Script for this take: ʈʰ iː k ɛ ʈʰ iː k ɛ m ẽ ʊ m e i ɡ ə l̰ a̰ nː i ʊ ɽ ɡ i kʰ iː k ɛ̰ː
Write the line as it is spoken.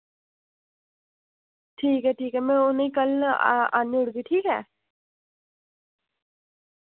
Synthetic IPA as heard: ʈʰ iː k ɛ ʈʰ iː k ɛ m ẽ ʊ n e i k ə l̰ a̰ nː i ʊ ɽ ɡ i ʈʰ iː k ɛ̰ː